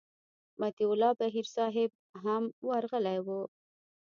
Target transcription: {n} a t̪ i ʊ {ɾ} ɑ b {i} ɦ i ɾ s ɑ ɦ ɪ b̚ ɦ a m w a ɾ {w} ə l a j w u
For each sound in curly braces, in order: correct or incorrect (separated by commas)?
incorrect, incorrect, incorrect, incorrect